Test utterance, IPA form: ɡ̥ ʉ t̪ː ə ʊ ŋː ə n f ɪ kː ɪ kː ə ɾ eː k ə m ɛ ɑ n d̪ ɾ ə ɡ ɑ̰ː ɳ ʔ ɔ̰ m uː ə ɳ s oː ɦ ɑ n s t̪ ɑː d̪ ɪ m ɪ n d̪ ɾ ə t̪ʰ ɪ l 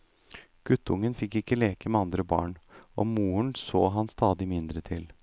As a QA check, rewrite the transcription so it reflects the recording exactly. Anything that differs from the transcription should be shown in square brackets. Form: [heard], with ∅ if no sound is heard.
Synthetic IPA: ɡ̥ ʉ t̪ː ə ʊ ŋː ə n f ɪ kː ɪ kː ə [l] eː k ə m ɛ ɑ n d̪ ɾ ə [b] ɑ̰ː ɳ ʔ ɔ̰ m uː ə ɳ s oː ɦ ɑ n s t̪ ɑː d̪ ɪ m ɪ n d̪ ɾ ə t̪ʰ ɪ l